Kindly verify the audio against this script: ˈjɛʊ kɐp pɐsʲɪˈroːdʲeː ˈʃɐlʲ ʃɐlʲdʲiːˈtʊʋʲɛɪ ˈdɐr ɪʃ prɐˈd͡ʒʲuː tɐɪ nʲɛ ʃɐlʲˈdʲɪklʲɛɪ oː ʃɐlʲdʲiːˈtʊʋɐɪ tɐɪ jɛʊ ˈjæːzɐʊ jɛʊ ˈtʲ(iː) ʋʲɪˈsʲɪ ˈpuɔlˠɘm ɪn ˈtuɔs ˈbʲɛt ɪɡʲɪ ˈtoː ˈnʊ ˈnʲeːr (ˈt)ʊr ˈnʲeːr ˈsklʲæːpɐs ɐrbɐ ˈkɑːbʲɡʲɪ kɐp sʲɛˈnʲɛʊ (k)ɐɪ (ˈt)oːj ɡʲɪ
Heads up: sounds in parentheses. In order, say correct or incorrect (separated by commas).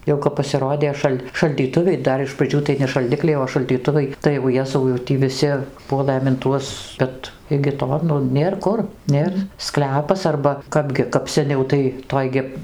correct, incorrect, incorrect, correct